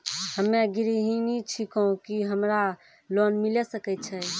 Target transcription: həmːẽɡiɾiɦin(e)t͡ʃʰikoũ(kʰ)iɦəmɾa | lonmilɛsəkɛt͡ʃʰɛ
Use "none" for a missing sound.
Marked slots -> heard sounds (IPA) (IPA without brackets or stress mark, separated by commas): i, k